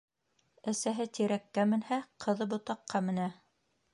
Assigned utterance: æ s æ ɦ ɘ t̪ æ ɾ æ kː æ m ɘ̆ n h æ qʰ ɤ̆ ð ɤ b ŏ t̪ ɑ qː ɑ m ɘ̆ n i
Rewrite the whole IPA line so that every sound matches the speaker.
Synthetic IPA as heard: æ s æ ɦ ɘ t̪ i ɾ æ kː æ m ɘ̆ n h æ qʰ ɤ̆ ð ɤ b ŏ t̪ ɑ qː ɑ m ɘ̆ n æ